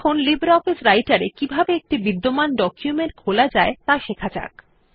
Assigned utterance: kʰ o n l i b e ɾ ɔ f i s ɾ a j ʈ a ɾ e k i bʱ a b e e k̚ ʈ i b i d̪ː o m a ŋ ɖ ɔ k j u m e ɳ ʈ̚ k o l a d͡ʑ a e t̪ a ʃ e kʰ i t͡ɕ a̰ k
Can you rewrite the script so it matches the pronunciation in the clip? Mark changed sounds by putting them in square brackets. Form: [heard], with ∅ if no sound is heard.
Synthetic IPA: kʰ o n l i b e ɾ ɔ f i s ɾ a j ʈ a ɾ e k i bʱ a b e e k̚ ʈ i b i d̪ː o m a [n] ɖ ɔ k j u m e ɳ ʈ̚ [kʰ] o l a d͡ʑ a e t̪ a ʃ e kʰ [a] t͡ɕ a̰ k